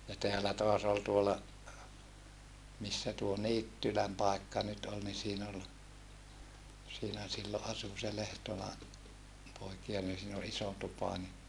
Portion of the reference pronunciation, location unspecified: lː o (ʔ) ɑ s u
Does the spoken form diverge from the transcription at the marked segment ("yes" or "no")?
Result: no